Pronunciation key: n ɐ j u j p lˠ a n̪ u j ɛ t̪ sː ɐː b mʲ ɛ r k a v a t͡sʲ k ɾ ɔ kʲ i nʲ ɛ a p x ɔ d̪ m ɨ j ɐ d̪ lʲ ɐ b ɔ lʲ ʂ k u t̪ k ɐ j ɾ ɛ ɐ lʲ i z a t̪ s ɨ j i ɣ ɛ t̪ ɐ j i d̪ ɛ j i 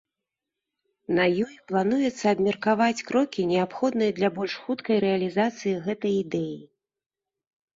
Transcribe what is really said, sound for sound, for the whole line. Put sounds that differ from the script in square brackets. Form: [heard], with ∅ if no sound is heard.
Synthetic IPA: n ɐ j [ɔ] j p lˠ a n̪ u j ɛ t̪ sː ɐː b mʲ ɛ r k a v a t͡sʲ k ɾ ɔ kʲ i nʲ ɛ a p x ɔ d̪ [n] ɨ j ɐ d̪ lʲ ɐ b ɔ lʲ ʂ [x] u t̪ k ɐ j ɾ ɛ ɐ lʲ i z a t̪ s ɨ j i ɣ ɛ t̪ ɐ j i d̪ ɛ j i